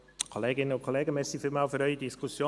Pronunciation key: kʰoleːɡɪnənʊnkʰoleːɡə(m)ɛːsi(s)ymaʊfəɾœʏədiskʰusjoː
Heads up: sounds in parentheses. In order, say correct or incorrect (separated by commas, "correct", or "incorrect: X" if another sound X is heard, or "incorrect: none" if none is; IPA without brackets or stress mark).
correct, incorrect: f